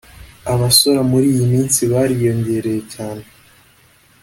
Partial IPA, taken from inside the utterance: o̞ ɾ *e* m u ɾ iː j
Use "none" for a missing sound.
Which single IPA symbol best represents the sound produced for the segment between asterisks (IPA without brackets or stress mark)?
a